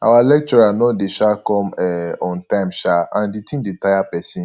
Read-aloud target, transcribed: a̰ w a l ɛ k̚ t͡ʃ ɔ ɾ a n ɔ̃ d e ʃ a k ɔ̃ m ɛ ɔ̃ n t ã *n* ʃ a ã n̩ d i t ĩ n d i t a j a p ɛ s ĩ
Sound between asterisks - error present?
yes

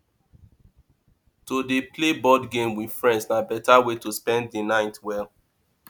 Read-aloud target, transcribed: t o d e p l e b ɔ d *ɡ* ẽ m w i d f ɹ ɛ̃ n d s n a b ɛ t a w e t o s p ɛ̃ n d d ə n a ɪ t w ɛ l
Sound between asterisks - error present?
no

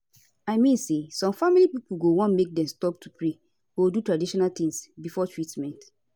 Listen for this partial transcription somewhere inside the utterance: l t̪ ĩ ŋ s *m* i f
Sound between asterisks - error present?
yes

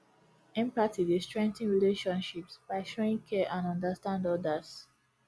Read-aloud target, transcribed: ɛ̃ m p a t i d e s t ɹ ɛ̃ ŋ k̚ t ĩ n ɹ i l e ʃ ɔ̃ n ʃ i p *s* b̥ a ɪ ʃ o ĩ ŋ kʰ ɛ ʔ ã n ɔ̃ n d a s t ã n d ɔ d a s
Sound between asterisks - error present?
no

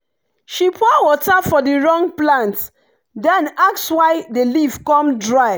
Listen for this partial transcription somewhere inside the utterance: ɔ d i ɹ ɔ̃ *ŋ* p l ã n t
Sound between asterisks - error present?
no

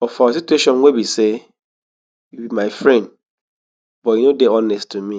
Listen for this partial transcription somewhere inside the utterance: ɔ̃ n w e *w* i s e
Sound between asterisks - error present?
yes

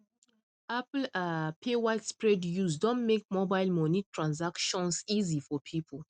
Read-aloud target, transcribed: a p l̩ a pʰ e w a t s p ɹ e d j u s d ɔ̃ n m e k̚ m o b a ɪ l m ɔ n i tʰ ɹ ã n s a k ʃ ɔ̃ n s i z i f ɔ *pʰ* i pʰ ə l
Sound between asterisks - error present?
no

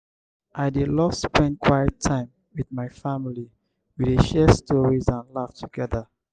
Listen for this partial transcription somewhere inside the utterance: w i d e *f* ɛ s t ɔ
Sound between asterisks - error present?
yes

